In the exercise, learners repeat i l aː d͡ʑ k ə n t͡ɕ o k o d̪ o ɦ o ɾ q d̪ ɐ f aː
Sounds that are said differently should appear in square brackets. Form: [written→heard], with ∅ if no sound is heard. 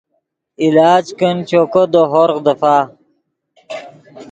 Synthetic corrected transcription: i l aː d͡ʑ k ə n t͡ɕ o k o d̪ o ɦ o ɾ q d̪ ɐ f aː